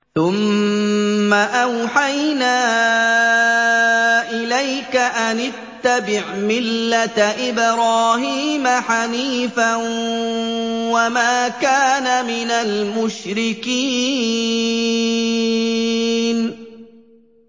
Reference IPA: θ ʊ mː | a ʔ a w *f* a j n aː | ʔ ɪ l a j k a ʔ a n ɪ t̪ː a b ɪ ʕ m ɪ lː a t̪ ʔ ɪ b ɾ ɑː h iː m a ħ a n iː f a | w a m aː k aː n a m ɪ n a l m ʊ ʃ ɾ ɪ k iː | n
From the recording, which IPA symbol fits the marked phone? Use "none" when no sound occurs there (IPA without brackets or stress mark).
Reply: ħ